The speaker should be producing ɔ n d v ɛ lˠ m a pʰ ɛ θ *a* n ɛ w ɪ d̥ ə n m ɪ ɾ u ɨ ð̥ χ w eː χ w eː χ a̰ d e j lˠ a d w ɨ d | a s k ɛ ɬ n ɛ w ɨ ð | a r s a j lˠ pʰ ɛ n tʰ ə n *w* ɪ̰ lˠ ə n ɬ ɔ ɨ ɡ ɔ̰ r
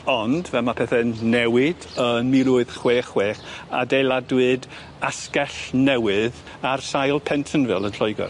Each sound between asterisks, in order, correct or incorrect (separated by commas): incorrect, incorrect